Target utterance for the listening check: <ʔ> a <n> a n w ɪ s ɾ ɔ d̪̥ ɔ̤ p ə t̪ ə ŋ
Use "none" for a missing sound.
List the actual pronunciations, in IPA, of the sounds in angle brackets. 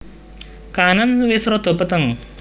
k, n

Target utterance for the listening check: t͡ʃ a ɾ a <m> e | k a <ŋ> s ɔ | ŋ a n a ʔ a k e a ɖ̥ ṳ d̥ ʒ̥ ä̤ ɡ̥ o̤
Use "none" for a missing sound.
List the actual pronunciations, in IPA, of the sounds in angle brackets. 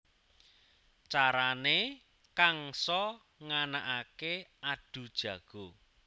n, ŋ

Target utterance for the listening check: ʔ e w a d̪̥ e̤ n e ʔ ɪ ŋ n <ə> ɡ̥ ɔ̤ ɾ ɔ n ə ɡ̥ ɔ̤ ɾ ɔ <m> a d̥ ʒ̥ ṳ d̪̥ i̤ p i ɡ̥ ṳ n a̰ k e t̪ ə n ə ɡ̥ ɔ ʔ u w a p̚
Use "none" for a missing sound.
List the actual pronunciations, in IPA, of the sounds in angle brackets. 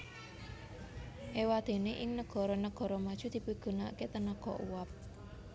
ə, m

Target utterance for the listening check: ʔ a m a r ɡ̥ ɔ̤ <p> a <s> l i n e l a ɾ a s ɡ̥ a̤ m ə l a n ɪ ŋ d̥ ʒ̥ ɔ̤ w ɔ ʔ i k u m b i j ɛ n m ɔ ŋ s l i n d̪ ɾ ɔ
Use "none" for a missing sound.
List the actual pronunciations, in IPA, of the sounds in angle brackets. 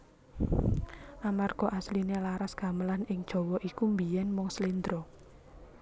ʔ, s

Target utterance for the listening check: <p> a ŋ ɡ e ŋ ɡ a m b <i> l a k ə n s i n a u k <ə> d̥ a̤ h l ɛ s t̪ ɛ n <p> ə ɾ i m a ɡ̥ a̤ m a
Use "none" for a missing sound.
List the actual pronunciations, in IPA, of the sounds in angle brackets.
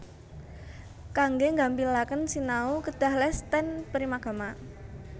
k, i, ə, p

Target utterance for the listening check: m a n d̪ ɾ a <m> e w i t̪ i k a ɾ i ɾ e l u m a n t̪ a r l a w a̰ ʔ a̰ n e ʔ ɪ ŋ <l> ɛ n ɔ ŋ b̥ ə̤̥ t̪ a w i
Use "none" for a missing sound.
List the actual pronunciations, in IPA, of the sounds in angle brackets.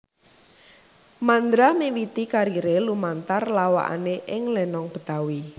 m, l

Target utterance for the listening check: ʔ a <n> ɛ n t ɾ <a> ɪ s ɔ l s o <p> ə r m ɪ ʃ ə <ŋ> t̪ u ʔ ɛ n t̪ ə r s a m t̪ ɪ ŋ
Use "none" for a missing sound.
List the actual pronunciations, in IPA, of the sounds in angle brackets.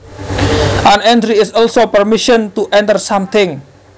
n, i, p, n

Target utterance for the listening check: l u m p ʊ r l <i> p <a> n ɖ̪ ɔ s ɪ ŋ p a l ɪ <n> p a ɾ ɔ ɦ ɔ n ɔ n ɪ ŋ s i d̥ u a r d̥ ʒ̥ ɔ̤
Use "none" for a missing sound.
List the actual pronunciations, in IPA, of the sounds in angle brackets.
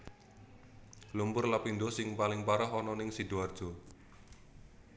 a, i, ŋ

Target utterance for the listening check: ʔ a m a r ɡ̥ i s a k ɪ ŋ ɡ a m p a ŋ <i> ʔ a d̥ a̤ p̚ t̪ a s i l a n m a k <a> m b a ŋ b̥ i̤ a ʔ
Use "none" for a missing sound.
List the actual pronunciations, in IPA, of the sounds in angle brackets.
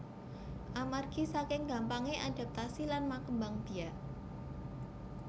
e, ə

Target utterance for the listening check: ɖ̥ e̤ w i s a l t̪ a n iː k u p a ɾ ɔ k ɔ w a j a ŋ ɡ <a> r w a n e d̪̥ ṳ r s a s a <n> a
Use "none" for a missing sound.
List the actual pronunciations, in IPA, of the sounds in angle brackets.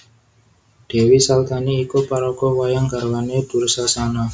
a, n

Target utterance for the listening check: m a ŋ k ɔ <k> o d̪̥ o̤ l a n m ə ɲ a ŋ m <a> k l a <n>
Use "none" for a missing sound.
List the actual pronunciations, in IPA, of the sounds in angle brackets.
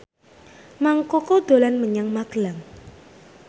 k, a, ŋ

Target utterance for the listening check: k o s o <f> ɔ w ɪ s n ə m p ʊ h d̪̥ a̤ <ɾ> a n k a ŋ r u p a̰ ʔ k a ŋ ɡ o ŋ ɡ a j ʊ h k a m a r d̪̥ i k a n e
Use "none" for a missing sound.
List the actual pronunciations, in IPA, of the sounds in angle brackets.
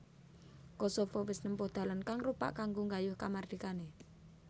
f, l

